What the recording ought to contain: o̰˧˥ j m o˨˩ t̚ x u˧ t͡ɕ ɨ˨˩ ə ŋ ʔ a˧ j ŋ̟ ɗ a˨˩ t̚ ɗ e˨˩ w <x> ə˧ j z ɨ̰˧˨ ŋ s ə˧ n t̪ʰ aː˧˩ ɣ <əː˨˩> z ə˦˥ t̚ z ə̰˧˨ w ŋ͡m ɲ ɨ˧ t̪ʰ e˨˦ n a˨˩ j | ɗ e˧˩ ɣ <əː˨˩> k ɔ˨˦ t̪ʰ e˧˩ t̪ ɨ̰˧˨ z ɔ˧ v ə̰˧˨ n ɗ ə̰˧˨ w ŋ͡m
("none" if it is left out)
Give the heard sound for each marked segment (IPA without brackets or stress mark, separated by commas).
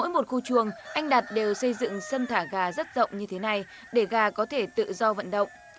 s, aː˨˩, aː˨˩